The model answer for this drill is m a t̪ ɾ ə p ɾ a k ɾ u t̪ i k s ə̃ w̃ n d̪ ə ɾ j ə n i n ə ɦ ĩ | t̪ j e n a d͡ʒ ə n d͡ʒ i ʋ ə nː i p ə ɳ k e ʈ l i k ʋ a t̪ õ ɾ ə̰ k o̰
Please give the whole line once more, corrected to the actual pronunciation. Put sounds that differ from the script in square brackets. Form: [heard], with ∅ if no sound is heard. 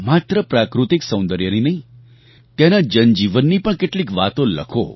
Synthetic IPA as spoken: m a t̪ ɾ ə p ɾ a k ɾ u t̪ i k s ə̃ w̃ n d̪ ə ɾ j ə n i n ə ɦ ĩ | t̪ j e n a d͡ʒ ə n d͡ʒ i ʋ ə nː i p ə ɳ k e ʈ l i k ʋ a t̪ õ [l] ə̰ [kʰ] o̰